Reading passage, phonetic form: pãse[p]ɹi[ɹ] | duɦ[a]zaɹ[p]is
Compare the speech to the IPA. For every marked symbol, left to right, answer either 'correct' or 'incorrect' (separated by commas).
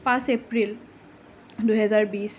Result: correct, incorrect, incorrect, incorrect